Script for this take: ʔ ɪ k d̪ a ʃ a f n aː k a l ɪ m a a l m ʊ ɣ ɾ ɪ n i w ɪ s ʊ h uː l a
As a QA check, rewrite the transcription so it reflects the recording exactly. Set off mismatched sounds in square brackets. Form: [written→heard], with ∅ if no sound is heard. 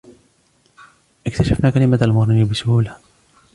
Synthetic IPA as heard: ʔ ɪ k [d̪→t̪] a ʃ a f n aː k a l ɪ m a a l m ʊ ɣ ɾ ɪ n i [w→b] ɪ s ʊ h uː l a